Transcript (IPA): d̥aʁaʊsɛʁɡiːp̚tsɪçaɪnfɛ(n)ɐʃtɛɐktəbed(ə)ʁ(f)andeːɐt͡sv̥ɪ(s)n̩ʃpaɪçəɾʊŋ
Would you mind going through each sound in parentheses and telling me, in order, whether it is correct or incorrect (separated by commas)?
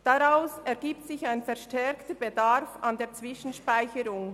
incorrect, incorrect, correct, incorrect